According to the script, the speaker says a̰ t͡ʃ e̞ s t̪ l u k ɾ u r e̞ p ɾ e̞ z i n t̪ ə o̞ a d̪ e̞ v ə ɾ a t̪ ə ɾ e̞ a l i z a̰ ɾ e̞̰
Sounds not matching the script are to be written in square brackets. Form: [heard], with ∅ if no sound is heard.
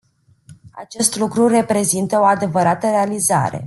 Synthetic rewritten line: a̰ t͡ʃ e̞ s t̪ l u k ɾ u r e̞ p ɾ e̞ z i n t̪ ə o̞ a d̪ e̞ v ə ɾ a t̪ ə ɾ e̞ a l i z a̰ ɾ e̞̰

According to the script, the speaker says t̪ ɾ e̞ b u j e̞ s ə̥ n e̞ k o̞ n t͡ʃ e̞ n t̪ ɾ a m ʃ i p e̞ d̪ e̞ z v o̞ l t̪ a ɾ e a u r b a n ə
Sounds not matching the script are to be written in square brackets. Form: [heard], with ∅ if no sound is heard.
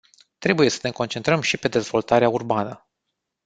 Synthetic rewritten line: t̪ ɾ e̞ b u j e̞ s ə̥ n e̞ k o̞ n t͡ʃ e̞ n t̪ ɾ [ə] m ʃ i p e̞ d̪ e̞ z v o̞ l t̪ a ɾ e a u r b a n ə

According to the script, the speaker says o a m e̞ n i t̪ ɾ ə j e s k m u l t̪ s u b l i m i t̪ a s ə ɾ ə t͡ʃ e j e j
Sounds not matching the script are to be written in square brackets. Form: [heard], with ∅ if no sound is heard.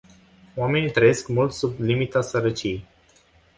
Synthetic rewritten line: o a m e̞ n i t̪ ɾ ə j e s k m u l t̪ s u b l i m i t̪ a s ə ɾ ə t͡ʃ [i] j e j

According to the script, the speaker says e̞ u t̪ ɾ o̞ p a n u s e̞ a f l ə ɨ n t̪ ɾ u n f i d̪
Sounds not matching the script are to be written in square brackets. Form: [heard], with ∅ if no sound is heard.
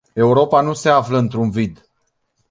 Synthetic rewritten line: e̞ u [∅] ɾ o̞ p a n u s e̞ a f l ə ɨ n t̪ ɾ u n [v] i d̪

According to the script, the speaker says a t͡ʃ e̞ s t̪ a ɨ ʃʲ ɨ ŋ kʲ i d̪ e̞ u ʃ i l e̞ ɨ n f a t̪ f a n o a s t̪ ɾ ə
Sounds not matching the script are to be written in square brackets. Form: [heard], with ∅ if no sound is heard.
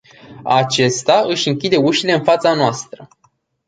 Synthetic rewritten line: a t͡ʃ e̞ s t̪ a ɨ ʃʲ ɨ ŋ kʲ i d̪ e̞ u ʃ i l e̞ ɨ n f a t̪ [s] a n o a s t̪ ɾ ə

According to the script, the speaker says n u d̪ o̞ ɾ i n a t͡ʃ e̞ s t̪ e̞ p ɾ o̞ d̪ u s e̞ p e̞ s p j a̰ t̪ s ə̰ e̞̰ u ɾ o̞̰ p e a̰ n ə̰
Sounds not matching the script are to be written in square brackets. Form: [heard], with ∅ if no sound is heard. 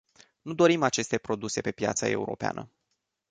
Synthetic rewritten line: n u d̪ o̞ ɾ i [m] a t͡ʃ e̞ s t̪ e̞ p ɾ o̞ d̪ u s e̞ p e̞ [∅] p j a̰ t̪ s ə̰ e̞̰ u ɾ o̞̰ p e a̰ n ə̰

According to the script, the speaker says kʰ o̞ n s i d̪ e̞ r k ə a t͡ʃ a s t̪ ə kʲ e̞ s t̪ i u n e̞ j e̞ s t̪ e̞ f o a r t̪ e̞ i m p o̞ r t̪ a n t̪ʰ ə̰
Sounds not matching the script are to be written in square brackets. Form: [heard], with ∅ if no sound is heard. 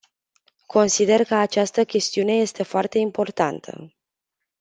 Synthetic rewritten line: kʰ o̞ n s i d̪ e̞ r k ə a t͡ʃ a s t̪ ə kʲ e̞ s t̪ i u n e̞ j e̞ s t̪ e̞ f o a r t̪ e̞ i m p o̞ r t̪ a n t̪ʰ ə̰

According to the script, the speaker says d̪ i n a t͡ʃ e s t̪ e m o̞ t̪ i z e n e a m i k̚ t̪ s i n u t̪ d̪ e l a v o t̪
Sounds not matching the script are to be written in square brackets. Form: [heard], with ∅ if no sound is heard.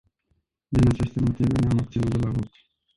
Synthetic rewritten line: d̪ i n a t͡ʃ e s t̪ e m o̞ t̪ i [v] e n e a m [a] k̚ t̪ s i n u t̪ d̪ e l a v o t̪

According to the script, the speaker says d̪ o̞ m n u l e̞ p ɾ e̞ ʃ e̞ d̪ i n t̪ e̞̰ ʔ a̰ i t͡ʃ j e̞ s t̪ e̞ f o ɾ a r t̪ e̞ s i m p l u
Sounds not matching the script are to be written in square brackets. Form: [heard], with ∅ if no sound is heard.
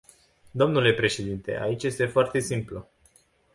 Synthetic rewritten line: d̪ o̞ m n u l e̞ p ɾ e̞ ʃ e̞ d̪ i n t̪ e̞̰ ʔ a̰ i t͡ʃ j e̞ s t̪ e̞ f o [∅] a r t̪ e̞ s i m p l u

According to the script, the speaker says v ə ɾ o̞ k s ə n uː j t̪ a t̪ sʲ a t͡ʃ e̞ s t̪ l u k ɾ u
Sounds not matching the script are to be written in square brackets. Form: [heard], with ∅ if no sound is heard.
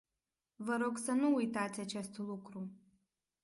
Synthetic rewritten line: v ə ɾ o̞ [ɡ] s ə n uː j t̪ a t̪ sʲ a t͡ʃ e̞ s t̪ l u k ɾ u

